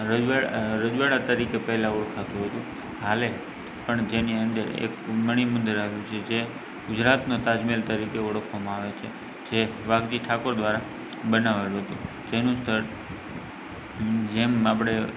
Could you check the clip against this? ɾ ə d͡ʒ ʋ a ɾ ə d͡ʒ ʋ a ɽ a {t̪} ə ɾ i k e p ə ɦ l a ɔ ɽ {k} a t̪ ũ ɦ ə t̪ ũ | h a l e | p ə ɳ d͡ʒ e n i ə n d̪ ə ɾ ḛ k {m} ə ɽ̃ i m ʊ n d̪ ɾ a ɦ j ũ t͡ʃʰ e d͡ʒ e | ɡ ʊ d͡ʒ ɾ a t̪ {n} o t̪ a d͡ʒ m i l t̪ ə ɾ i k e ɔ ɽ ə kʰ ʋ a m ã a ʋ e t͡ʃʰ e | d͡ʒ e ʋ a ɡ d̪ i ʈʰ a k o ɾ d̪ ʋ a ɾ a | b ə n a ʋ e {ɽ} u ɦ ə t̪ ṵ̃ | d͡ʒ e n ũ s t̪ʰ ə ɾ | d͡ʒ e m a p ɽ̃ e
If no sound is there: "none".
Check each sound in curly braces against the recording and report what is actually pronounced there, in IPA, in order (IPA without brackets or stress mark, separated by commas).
t̪, kʰ, m, n, l